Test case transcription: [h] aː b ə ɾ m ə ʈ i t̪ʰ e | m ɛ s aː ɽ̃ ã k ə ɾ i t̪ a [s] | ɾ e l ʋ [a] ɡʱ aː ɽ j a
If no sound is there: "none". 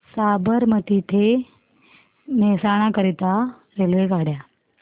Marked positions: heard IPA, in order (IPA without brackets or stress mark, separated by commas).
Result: s, none, e